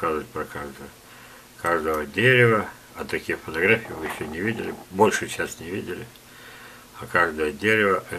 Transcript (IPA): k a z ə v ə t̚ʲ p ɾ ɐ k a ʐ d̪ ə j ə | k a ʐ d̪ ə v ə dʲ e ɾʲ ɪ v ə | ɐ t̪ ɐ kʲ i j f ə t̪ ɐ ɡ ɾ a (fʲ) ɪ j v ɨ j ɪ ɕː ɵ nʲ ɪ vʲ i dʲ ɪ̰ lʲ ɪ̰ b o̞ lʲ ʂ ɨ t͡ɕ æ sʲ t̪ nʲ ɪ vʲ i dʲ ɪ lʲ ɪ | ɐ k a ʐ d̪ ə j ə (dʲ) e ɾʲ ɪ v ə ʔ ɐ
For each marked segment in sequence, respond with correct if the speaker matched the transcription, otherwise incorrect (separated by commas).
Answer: correct, correct